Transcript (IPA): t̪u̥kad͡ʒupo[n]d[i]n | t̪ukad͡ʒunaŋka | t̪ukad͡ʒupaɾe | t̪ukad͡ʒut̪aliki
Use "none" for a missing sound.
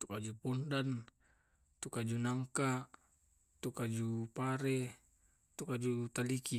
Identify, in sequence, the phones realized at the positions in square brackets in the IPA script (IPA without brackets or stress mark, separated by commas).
n, a